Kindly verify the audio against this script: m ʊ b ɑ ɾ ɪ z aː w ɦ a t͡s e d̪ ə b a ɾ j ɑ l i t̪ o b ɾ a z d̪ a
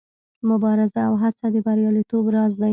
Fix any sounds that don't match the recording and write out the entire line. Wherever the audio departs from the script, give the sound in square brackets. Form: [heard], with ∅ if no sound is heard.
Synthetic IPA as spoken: m ʊ b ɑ ɾ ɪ z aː w ɦ a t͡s [a] d̪ ə b a ɾ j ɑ l i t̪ o b ɾ [ɑ] z d̪ a